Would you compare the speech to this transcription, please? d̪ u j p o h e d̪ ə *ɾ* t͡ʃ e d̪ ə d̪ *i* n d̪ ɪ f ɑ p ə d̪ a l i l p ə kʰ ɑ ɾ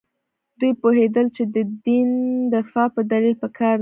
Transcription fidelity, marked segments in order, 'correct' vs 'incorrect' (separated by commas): incorrect, correct